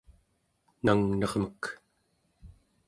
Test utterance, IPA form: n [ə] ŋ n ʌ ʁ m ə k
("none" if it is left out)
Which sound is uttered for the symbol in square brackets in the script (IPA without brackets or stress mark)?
a